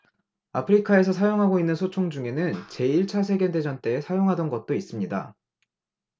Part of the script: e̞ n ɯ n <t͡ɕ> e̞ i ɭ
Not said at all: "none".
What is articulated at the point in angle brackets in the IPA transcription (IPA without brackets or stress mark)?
t͡ɕ